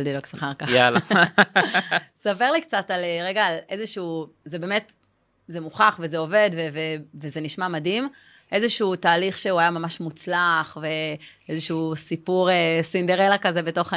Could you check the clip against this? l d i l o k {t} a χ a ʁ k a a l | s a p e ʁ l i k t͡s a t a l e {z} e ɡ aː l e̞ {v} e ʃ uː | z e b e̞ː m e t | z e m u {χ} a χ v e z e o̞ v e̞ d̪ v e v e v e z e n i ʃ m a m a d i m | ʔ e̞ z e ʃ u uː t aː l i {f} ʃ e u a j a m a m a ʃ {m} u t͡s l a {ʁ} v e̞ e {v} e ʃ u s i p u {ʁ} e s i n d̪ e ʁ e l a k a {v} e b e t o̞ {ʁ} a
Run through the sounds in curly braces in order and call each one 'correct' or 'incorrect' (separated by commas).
incorrect, incorrect, incorrect, correct, incorrect, correct, incorrect, incorrect, correct, incorrect, incorrect